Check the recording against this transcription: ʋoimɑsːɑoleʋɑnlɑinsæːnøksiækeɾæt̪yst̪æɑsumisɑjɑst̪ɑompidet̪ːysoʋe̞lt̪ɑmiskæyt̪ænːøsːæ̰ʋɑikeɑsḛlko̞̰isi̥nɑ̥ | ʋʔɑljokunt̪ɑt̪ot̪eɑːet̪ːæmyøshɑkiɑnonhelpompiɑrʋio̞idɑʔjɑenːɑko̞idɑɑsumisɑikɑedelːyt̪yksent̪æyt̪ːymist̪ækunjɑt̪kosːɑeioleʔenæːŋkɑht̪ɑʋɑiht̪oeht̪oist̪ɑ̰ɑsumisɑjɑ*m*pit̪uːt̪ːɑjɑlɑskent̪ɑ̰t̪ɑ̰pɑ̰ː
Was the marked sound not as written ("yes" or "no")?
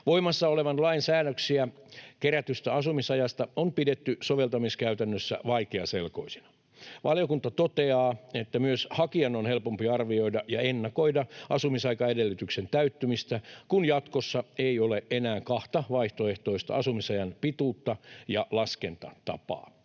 yes